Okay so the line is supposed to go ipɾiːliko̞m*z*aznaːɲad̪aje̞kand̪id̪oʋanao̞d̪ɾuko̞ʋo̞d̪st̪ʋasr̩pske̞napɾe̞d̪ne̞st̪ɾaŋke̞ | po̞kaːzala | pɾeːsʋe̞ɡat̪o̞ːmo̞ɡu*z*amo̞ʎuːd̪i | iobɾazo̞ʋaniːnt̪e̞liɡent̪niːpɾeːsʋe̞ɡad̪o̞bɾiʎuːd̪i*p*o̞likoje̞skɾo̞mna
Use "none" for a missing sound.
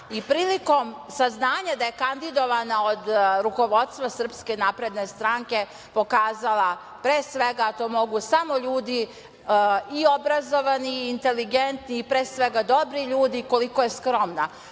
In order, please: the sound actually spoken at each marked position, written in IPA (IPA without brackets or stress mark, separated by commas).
s, s, k